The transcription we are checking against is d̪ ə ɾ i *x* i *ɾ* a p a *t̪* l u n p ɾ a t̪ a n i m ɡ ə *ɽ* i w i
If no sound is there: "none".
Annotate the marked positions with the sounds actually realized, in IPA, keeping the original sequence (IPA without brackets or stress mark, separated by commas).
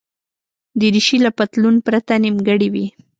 ʃ, l, t̪, ɽ